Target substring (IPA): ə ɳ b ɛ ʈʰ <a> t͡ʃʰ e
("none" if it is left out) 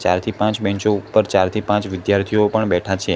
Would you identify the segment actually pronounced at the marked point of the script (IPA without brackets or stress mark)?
a